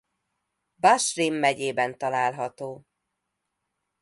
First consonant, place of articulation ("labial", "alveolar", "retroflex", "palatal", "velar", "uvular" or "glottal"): labial